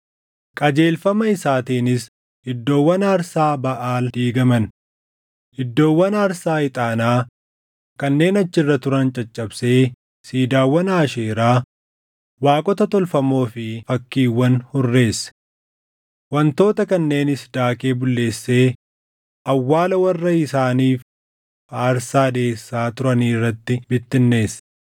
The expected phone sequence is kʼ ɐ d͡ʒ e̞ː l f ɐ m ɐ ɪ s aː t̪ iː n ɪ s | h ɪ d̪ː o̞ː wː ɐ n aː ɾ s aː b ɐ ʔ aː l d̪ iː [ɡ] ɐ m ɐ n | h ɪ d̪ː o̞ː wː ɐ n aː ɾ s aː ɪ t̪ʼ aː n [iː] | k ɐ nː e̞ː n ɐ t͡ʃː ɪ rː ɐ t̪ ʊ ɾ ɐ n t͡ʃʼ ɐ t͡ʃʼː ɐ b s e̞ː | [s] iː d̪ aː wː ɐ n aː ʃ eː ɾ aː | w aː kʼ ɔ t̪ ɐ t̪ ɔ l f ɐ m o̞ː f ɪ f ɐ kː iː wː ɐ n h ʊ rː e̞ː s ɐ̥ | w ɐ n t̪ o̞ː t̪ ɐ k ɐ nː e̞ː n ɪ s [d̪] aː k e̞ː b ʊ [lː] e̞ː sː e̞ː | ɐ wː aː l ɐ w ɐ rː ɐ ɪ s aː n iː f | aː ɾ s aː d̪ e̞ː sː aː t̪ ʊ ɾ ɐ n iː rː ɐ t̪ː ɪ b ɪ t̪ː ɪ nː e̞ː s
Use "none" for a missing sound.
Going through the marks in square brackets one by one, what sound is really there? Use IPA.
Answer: ɡ, aː, s, d̪, lː

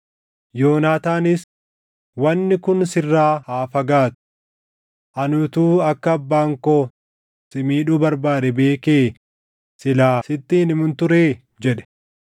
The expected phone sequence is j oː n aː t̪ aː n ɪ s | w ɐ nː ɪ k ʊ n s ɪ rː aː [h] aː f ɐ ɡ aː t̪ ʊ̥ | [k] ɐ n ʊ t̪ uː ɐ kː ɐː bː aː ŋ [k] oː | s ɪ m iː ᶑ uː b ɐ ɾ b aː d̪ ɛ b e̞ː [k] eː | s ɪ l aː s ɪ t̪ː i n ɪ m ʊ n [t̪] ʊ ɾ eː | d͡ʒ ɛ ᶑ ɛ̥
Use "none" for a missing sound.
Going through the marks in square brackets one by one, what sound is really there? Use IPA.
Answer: h, ʔ, k, k, t̪

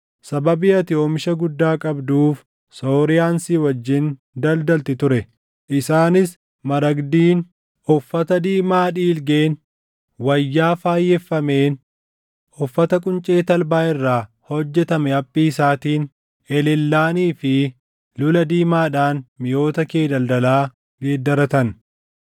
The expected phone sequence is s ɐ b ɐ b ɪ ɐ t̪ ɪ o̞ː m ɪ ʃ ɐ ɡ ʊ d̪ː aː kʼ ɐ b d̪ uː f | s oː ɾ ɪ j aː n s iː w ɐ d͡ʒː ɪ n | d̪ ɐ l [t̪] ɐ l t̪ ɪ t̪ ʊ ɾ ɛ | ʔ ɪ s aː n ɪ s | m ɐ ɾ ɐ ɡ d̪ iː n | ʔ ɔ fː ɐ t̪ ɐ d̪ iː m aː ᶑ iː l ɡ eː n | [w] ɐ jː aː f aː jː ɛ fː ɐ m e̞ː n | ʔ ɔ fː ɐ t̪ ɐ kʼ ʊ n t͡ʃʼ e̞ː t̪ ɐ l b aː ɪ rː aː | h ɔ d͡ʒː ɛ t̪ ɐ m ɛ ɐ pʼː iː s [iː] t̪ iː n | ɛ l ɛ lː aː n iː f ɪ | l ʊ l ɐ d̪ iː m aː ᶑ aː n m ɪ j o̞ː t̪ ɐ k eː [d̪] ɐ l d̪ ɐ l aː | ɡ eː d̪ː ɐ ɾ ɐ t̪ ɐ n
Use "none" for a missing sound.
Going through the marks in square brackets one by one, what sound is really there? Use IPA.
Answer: d̪, w, aː, d̪

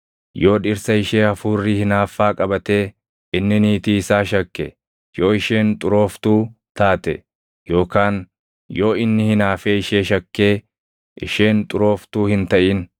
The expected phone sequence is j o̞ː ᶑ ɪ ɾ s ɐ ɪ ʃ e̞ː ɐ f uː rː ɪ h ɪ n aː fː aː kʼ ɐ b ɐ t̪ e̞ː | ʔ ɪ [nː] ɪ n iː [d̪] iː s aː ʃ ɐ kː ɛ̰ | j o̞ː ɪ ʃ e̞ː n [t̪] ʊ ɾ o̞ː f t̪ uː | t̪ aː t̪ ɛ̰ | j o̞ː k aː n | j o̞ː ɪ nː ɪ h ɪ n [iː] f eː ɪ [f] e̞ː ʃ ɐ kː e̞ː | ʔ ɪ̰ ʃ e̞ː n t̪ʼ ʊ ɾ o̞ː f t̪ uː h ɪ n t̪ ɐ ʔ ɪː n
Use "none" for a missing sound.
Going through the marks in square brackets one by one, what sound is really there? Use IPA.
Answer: nː, t̪, t̪ʼ, aː, ʃ

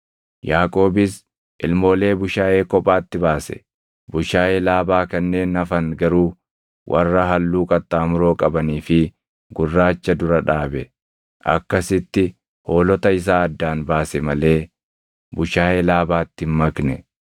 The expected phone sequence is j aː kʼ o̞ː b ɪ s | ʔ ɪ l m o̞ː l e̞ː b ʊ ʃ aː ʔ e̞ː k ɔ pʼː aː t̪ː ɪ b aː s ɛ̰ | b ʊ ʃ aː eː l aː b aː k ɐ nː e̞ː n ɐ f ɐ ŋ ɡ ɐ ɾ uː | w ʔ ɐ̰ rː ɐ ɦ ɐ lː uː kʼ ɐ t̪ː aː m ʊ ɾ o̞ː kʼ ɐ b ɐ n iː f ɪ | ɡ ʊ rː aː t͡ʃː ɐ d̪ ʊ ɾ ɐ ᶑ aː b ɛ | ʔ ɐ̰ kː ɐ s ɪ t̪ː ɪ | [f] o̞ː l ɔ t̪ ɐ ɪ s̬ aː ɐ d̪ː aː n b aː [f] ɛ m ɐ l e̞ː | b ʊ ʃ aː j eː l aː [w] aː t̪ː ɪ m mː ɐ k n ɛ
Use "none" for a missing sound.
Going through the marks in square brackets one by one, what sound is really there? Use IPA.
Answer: h, s, b

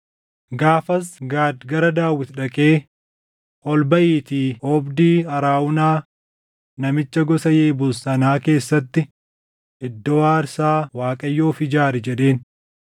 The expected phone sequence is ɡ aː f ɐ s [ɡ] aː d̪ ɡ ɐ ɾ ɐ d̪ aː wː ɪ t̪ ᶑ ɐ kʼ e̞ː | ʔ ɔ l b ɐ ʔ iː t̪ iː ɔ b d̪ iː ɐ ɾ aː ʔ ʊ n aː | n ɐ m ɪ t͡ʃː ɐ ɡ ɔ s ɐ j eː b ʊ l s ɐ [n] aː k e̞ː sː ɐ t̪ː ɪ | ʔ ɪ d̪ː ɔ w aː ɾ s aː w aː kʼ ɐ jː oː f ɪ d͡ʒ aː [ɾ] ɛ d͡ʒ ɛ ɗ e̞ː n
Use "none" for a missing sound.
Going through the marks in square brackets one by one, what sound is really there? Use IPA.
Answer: ɡ, n, ɾ

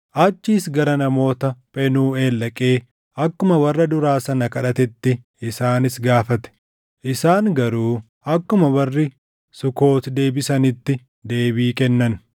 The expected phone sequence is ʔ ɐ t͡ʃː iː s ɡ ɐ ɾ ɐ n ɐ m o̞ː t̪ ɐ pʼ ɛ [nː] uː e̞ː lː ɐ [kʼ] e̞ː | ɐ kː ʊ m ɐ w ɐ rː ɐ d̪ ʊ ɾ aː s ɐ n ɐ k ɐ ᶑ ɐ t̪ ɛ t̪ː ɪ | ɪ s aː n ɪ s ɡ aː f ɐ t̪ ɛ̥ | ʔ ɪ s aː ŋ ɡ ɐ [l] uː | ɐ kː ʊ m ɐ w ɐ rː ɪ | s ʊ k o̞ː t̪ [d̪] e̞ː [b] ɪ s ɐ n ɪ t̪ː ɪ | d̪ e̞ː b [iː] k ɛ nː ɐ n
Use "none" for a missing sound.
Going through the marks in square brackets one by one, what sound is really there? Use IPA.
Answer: n, kʼ, ɾ, d̪, b, iː

